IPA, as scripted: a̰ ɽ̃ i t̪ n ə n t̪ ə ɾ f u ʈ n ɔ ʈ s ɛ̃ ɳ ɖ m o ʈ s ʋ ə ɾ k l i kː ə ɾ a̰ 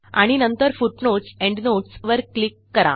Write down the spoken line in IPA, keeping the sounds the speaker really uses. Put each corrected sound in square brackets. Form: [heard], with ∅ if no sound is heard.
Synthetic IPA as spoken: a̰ ɽ̃ i [∅] n ə n t̪ ə ɾ f u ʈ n [o] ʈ s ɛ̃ ɳ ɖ [n] o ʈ s ʋ ə ɾ k l i kː ə ɾ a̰